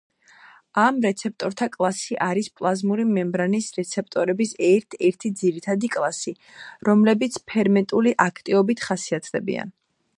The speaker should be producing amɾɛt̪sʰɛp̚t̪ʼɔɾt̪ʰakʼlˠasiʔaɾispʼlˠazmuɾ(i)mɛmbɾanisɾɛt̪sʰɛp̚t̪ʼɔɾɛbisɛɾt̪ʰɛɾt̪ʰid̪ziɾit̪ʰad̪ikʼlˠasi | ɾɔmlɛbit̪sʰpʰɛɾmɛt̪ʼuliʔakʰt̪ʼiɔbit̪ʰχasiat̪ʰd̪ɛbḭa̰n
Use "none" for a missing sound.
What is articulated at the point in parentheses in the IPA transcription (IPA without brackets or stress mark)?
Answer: i